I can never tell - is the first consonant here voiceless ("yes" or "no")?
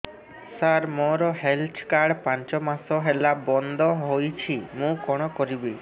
yes